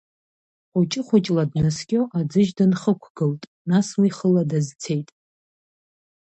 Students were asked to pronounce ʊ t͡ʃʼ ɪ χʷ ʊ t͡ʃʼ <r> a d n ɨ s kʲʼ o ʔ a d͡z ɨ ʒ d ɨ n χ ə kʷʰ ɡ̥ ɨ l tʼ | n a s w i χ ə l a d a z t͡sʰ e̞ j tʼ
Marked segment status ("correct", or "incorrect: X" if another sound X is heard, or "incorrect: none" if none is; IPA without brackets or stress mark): incorrect: l